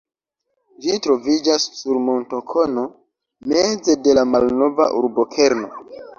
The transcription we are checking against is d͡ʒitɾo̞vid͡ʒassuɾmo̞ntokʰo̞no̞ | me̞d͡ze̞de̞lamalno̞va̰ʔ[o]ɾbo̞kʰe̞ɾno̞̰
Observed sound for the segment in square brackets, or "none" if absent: u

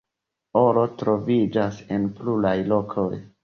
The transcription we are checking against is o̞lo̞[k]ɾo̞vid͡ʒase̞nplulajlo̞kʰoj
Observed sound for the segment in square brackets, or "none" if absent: t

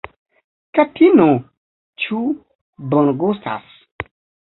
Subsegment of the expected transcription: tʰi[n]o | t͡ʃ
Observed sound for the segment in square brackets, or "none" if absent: n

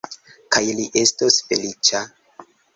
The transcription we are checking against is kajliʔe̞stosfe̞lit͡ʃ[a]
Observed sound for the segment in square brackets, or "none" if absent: a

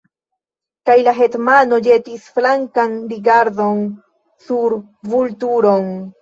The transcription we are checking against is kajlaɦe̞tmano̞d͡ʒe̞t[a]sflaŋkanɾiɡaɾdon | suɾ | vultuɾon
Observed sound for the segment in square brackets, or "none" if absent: i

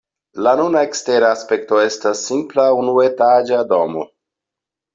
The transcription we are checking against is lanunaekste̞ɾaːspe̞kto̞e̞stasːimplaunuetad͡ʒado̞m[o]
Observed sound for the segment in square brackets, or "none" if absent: o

